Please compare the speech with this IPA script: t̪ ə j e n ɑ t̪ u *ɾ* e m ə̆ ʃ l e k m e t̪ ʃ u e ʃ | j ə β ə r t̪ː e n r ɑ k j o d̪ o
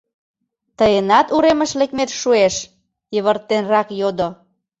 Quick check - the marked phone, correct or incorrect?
correct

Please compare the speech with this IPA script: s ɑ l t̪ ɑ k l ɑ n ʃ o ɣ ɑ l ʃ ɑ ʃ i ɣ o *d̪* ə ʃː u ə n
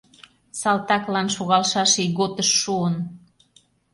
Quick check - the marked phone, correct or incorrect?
incorrect: t̪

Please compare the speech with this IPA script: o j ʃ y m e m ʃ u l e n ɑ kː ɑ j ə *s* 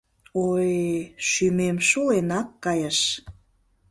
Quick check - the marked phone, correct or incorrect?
incorrect: ʃ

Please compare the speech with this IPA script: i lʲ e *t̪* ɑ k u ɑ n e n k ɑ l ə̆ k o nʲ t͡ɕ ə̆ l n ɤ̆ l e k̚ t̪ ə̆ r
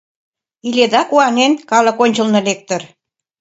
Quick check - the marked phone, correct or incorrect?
incorrect: d̪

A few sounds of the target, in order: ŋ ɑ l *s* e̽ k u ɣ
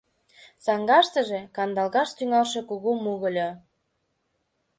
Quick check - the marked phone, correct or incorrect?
incorrect: ʃ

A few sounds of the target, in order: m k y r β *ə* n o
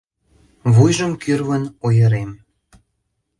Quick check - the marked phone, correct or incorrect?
correct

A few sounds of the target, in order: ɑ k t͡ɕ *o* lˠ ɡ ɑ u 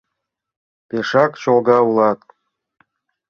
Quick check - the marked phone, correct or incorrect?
correct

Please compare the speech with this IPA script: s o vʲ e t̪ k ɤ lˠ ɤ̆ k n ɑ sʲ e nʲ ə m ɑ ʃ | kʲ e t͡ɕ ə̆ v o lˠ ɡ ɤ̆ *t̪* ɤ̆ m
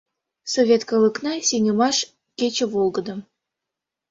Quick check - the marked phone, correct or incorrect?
incorrect: d̪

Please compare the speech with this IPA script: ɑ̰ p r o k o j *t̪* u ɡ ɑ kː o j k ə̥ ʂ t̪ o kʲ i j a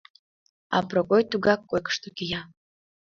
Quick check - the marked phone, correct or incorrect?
correct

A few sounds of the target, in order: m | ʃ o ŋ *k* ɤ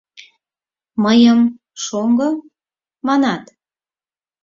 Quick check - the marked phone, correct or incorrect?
incorrect: ɡ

